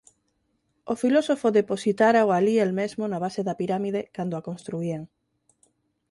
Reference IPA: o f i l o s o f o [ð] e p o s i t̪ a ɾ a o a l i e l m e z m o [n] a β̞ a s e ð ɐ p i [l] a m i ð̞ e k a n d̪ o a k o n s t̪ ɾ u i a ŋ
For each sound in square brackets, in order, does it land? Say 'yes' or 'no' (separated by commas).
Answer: yes, yes, no